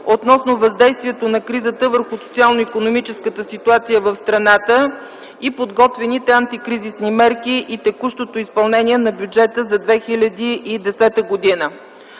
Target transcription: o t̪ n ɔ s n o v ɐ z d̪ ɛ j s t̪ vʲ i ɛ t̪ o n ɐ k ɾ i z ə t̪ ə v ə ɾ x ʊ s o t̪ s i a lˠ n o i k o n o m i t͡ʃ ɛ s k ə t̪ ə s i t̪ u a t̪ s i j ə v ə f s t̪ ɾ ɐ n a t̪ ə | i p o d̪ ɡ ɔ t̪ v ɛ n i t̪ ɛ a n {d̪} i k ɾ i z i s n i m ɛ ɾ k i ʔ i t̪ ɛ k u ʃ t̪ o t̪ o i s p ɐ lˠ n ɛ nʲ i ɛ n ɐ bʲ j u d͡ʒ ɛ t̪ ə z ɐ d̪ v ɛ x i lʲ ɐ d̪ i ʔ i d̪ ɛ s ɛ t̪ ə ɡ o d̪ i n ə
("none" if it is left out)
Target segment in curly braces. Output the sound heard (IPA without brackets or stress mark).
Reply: t̪